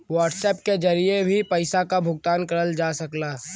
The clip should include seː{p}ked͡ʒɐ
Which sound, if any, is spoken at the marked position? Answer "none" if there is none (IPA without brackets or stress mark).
p